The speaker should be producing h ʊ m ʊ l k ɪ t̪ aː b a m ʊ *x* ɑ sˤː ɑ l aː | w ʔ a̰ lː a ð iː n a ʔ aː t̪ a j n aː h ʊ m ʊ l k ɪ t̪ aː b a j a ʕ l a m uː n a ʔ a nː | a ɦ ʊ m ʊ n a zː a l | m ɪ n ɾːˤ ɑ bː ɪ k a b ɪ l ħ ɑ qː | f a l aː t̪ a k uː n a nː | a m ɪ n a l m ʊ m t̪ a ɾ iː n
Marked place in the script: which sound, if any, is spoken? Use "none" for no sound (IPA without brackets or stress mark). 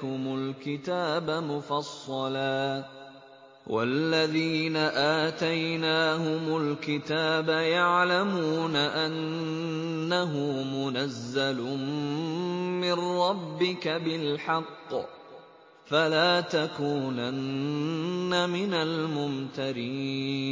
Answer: f